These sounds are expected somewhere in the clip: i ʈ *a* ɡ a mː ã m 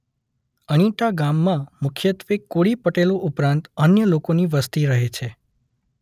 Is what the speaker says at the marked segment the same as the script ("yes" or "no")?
yes